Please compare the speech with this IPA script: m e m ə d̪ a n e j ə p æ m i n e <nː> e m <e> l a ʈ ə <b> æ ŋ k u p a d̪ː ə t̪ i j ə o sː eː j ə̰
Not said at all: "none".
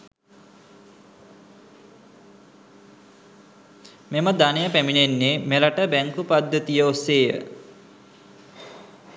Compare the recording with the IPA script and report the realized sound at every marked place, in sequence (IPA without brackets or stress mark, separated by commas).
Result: nː, e, b